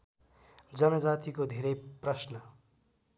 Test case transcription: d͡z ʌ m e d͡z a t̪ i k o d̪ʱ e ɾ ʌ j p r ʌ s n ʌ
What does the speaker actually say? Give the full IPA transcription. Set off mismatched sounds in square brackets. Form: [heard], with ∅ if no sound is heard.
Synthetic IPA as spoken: d͡z ʌ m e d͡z a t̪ i k o d̪ʱ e ɾ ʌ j p r ʌ s n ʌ